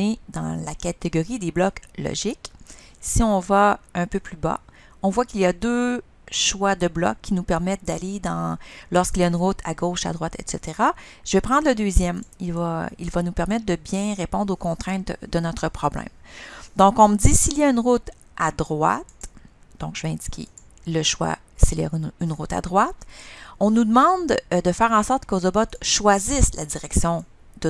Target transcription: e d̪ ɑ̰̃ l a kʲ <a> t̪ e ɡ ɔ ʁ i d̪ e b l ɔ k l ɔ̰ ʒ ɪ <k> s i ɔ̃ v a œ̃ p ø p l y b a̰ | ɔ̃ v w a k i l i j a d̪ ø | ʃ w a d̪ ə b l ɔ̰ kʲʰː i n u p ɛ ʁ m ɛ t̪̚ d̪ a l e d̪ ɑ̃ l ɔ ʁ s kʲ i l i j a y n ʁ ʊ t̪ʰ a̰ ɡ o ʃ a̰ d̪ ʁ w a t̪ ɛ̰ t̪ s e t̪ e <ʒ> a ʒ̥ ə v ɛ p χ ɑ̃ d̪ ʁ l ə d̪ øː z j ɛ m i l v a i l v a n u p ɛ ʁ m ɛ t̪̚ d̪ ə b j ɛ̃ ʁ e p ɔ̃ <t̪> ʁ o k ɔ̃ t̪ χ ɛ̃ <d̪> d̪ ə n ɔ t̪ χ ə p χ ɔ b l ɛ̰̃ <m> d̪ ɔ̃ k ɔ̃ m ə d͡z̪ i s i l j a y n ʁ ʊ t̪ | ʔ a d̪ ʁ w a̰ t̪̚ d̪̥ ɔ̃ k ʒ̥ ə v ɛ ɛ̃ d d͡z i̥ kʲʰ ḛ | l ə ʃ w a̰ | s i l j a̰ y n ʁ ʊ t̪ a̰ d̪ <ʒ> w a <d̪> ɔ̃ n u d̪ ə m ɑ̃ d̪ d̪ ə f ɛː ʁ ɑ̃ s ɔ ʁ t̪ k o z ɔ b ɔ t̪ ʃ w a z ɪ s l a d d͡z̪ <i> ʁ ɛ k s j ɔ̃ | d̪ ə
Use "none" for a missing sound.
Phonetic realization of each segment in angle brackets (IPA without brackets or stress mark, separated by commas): a, k, ʁ, d̪, t̪, m, ʁ, t̪, i